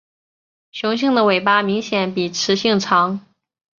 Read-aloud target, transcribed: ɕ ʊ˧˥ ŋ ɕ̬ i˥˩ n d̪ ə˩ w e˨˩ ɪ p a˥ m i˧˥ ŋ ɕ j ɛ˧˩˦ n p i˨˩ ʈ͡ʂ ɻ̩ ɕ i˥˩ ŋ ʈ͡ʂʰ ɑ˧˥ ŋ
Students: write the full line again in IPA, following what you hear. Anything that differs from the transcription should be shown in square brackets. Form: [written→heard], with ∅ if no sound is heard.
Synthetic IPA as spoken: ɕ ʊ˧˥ ŋ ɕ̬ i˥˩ [n→ŋ] d̪ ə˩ w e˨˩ ɪ p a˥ m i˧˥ ŋ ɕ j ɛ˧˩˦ n p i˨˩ [ʈ͡ʂ→ʈ͡ʂʰ] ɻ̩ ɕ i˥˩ ŋ ʈ͡ʂʰ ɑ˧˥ ŋ